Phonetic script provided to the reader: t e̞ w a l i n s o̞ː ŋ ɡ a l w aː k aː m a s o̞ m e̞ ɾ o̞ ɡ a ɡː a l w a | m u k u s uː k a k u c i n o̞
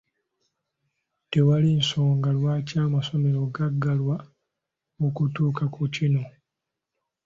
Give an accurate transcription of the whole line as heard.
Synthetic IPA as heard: t e̞ w a l i n s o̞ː ŋ ɡ a l w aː c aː m a s o̞ m e̞ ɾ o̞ ɡ a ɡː a l w a | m u k u t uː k a k u c i n o̞